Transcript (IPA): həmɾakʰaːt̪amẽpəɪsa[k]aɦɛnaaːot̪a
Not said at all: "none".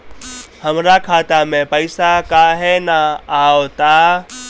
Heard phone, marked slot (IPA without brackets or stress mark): k